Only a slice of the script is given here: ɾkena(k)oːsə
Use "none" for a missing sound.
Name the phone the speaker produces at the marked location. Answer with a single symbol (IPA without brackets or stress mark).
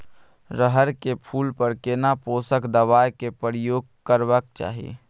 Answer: p